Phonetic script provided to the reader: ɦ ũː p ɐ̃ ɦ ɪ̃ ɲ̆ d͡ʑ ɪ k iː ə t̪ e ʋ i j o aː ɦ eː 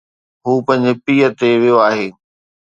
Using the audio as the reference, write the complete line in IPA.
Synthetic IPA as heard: ɦ uː p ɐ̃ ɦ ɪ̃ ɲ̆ d͡ʑ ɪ p iː ə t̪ e ʋ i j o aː ɦ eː